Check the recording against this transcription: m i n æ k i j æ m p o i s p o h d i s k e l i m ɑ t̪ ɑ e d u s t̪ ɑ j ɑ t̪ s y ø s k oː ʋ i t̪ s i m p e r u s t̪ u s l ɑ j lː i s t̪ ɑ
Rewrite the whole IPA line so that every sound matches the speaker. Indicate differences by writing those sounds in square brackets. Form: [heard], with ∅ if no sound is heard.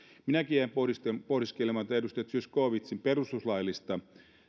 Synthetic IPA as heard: m i n æ k i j æ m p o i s p o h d i s k e l [e] m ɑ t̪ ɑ e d u s t̪ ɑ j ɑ t̪ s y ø s k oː ʋ i t̪ s i m p e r u s t̪ u s l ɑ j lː i s t̪ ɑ